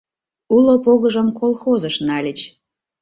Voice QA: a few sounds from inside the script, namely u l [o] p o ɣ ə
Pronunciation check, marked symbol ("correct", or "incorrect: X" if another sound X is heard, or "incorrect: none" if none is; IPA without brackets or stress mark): correct